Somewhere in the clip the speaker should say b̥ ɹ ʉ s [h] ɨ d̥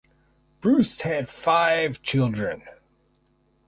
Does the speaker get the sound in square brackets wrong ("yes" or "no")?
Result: no